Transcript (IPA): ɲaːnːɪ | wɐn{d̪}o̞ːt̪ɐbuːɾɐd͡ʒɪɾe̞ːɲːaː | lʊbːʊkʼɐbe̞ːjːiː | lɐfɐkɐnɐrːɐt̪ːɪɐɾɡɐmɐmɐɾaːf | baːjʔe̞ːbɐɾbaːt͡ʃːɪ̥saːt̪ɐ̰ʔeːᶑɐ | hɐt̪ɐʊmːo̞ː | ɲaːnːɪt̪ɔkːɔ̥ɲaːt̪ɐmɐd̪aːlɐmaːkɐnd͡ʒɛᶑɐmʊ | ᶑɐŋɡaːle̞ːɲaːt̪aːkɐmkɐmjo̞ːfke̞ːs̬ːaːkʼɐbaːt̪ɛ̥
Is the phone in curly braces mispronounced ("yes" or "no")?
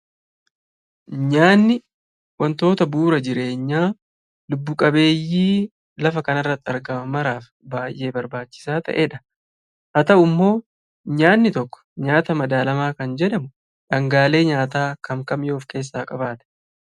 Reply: yes